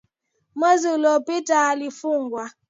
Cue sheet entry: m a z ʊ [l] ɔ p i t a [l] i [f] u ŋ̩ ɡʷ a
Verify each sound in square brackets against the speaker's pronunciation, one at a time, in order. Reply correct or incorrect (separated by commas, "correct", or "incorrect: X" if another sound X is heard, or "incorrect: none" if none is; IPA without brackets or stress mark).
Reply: correct, correct, correct